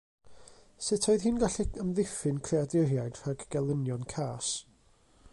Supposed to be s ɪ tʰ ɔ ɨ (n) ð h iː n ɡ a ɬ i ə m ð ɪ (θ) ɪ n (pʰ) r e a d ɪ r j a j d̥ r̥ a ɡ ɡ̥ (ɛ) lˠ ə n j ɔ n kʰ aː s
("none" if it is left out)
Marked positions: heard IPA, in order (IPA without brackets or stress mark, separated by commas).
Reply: none, f, kʰ, ɛ